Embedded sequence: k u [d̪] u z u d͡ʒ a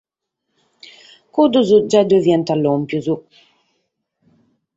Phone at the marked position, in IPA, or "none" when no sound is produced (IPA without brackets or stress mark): d̪